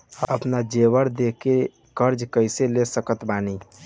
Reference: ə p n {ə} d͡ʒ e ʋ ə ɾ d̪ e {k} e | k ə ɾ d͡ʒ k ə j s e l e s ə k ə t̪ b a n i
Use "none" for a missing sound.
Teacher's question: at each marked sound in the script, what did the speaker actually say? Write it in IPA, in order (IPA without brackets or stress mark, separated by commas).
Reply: a, k